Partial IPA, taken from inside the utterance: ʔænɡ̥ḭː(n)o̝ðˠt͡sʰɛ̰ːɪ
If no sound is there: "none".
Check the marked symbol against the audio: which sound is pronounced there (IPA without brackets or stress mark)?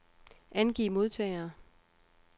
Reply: m